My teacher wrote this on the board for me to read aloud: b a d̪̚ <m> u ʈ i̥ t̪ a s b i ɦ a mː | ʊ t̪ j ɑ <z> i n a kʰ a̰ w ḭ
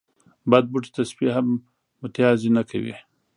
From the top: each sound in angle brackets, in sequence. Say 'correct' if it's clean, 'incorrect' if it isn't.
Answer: incorrect, correct

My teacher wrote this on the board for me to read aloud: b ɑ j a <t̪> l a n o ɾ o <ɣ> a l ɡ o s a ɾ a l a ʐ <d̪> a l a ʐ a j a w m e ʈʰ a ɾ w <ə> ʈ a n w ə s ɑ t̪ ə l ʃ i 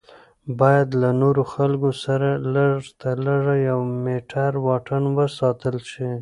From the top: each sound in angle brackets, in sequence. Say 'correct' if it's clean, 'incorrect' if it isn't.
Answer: incorrect, incorrect, incorrect, incorrect

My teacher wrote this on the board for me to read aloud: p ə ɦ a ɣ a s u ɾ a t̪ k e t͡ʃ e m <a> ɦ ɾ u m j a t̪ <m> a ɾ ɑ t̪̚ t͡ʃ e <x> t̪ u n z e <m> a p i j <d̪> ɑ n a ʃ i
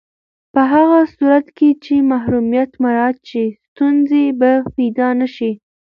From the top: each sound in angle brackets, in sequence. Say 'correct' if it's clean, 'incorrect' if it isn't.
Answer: correct, correct, incorrect, incorrect, correct

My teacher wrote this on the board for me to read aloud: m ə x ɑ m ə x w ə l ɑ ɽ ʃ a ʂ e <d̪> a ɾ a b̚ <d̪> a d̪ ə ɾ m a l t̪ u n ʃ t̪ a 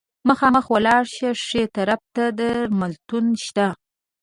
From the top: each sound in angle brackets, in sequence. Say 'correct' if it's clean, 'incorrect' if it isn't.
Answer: incorrect, incorrect

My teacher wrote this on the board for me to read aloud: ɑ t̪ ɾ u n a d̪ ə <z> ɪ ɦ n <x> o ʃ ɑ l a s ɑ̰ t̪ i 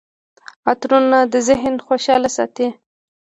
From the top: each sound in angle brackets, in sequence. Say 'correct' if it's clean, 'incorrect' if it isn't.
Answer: correct, correct

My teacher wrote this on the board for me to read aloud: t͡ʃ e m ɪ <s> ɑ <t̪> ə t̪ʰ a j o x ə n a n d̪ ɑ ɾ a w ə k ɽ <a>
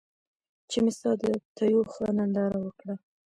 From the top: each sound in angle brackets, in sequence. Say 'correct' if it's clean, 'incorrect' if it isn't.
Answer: correct, incorrect, correct

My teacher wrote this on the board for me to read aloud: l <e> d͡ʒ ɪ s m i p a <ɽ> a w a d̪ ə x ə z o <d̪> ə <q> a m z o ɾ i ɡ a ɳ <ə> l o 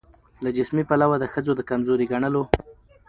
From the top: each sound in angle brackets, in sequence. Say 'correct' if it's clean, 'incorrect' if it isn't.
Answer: incorrect, incorrect, correct, incorrect, correct

